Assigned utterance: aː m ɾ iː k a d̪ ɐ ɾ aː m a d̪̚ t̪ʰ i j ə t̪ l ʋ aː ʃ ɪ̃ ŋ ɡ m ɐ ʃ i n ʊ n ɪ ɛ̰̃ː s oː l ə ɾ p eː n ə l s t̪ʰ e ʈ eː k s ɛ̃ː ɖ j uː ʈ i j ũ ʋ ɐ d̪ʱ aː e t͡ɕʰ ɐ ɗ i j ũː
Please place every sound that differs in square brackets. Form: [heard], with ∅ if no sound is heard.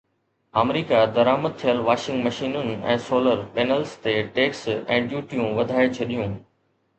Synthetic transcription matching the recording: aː m ɾ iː k a d̪ ɐ ɾ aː m [ə] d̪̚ t̪ʰ i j ə [∅] l ʋ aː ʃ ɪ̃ ŋ ɡ m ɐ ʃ [iː] n ʊ n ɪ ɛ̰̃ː s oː l ə ɾ p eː n ə l s [t̪] e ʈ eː k s ɛ̃ː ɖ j uː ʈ i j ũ ʋ ɐ d̪ʱ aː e t͡ɕʰ ɐ ɗ i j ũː